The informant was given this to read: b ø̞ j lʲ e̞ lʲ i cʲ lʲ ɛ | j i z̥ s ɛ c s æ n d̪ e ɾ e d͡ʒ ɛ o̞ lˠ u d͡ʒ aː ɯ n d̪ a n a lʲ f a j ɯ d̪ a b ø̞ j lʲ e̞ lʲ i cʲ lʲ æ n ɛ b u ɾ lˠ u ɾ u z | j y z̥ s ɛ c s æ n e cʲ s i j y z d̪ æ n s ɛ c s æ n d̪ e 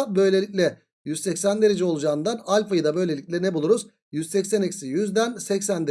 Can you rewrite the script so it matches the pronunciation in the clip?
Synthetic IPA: b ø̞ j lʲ e̞ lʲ i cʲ lʲ ɛ | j y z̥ s ɛ c s æ n d̪ e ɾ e d͡ʒ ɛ o̞ lˠ u d͡ʒ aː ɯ n d̪ a n a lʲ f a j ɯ d̪ a b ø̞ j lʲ e̞ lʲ i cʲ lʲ ɛ n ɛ b u lˠ u ɾ u z | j y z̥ s ɛ c s æ n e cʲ s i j y z d̪ æ n s ɛ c s æ n d̪ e